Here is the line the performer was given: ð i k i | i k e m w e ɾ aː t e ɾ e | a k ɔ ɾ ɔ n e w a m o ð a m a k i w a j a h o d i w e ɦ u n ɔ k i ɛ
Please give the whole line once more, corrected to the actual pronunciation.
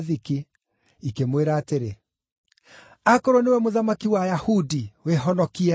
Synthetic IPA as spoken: ð i k i | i k e m w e ɾ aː t e ɾ e | a k ɔ ɾ ɔ n e w ɛ m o ð a m a k i w a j a h u d i w e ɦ ɔ n ɔ k i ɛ